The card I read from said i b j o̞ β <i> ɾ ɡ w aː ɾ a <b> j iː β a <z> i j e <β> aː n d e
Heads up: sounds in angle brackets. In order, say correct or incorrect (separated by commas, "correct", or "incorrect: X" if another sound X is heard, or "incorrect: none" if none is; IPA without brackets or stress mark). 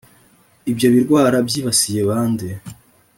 correct, correct, incorrect: s, correct